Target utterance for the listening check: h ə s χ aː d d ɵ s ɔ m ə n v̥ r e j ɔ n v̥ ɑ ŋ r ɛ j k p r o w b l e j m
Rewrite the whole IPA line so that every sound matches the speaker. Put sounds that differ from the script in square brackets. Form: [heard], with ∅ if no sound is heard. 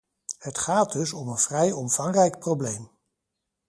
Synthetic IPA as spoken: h ə [t] χ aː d d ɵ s ɔ m ə n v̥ r [ɛ] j ɔ [m] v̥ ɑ ŋ r ɛ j k p r o w b l e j m